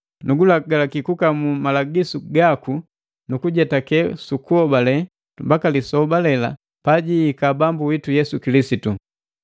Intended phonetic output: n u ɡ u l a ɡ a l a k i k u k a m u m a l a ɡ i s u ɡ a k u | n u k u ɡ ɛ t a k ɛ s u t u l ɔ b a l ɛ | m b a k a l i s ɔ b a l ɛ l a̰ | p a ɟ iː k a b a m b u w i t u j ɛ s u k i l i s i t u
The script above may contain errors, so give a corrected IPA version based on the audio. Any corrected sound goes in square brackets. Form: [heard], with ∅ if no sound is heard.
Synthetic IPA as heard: n u ɡ u l a ɡ a l a k i k u k a m u m a l a ɡ i s u ɡ a k u | n u k u [ɟ] ɛ t a k ɛ s u [k] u [∅] ɔ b a l ɛ | m b a k a l i s ɔ b a l ɛ l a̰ | p a ɟ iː k a b a m b u w i t u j ɛ s u k i l i s i t u